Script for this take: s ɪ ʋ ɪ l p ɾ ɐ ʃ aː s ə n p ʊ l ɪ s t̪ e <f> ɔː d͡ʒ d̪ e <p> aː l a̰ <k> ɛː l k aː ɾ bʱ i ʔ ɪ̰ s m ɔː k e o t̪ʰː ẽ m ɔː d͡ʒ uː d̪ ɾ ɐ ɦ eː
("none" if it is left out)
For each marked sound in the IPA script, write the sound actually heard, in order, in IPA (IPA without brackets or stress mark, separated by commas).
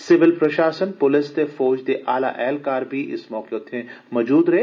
f, ʔ, ʔ